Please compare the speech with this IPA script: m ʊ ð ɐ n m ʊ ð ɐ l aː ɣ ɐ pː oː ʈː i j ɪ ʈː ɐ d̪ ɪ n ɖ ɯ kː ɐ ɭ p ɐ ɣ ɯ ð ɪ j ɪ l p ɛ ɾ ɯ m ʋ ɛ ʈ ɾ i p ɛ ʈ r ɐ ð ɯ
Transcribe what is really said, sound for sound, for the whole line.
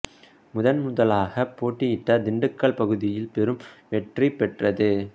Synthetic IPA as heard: m ʊ ð ɐ n m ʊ ð ɐ l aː ɣ ɐ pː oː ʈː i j ɪ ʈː ɐ d̪ ɪ ɳ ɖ ɯ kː ɐ ɭ p ɐ ɣ ɯ ð ɪ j ɪ l p ɛ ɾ ɯ m ʋ ɛ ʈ r i p ɛ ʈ r ɐ ð ɯ